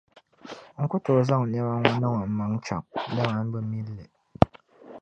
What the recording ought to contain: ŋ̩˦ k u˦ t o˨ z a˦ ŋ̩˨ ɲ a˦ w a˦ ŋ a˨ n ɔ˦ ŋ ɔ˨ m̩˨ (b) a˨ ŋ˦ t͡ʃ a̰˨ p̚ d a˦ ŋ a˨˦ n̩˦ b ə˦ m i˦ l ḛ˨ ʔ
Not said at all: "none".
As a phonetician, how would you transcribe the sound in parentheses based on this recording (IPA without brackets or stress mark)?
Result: m